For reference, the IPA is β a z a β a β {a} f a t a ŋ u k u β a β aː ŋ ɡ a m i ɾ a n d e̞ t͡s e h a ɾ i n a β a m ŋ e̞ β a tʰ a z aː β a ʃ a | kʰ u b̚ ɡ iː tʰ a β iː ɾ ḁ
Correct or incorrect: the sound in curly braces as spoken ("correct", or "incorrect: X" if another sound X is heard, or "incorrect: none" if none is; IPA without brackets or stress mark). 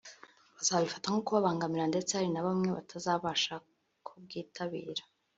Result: incorrect: i